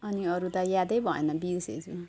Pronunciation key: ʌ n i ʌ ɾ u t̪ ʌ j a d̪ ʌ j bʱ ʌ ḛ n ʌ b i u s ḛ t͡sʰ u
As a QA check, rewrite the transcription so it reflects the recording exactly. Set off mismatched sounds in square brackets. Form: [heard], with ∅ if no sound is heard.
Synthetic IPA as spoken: ʌ n i ʌ ɾ u t̪ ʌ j a d̪ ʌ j bʱ ʌ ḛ n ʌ b i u s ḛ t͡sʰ u